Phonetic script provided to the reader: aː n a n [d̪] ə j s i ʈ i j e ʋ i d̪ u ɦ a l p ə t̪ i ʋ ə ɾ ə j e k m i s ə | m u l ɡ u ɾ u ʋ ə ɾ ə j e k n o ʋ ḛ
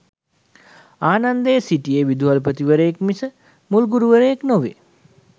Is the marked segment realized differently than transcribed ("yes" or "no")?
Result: no